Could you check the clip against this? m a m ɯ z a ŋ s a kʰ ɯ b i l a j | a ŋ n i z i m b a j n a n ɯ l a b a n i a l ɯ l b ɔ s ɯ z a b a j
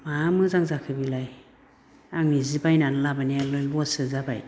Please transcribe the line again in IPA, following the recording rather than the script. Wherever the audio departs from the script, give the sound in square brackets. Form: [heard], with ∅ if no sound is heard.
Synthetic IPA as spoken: m a m ɯ z a ŋ [z] a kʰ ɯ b i l a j | a ŋ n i z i [∅] b a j n a n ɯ l a b a n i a l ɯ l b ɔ s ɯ z a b a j